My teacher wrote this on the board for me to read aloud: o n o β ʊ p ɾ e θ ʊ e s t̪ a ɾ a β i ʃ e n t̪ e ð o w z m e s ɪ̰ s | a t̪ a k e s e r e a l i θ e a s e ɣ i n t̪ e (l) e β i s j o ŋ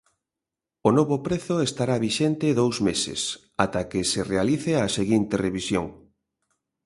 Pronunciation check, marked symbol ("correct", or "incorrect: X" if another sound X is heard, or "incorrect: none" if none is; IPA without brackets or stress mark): incorrect: r